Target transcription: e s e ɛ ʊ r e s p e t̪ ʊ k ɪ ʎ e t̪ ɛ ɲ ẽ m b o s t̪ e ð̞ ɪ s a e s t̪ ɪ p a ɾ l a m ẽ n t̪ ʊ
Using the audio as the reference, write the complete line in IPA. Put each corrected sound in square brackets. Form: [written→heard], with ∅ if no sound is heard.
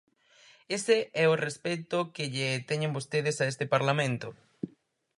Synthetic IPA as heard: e s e ɛ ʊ r e s p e t̪ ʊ k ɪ ʎ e t̪ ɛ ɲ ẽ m b o s t̪ e ð̞ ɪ s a e s t̪ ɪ p a ɾ l a m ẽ n t̪ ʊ